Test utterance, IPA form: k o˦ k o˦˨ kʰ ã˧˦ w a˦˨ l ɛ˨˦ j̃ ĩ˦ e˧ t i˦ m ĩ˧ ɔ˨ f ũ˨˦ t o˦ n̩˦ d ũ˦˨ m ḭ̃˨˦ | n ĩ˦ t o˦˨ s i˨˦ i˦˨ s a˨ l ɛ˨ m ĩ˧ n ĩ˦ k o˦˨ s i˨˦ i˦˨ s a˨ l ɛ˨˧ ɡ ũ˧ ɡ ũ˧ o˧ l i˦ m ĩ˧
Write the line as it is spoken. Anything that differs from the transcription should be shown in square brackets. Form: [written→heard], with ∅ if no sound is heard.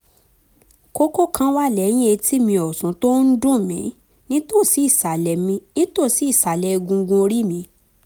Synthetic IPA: k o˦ k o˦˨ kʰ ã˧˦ w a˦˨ l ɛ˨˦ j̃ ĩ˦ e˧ t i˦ m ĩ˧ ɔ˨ [f→s] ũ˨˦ t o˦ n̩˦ d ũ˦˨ m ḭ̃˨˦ | n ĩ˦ t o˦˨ s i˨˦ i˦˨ s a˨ l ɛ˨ m ĩ˧ n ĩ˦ [k→t] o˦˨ s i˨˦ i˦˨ s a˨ l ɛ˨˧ ɡ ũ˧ ɡ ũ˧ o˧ [l→ɾ] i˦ m ĩ˧